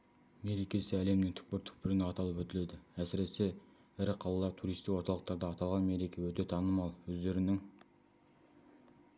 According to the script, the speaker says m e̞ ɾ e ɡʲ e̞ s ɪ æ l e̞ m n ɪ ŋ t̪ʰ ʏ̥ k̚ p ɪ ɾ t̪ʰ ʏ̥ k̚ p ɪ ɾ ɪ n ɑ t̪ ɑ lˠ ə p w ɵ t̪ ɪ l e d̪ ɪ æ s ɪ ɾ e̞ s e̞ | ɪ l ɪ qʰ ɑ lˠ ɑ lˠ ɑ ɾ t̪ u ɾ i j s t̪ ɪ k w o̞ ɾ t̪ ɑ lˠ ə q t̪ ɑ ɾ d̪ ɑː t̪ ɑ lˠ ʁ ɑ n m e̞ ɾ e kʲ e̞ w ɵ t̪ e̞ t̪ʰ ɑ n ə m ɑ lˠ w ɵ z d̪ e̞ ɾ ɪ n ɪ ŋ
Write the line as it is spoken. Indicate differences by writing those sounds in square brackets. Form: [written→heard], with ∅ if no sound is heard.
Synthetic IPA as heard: m e̞ ɾ e [ɡʲ→kʲ] e̞ s ɪ æ l e̞ m n ɪ ŋ t̪ʰ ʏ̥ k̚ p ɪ ɾ t̪ʰ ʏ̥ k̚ p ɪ ɾ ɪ n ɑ t̪ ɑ lˠ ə p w ɵ t̪ ɪ l e d̪ ɪ æ s ɪ ɾ e̞ s e̞ | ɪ [l→ɾ] ɪ qʰ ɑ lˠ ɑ lˠ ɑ ɾ [t̪→t̪ʰ] u ɾ i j s t̪ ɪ k w o̞ ɾ t̪ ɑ lˠ ə q t̪ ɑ ɾ d̪ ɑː t̪ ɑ lˠ ʁ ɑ n m e̞ ɾ e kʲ e̞ w ɵ t̪ e̞ t̪ʰ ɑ n ə m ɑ lˠ w ɵ z d̪ e̞ ɾ ɪ n ɪ ŋ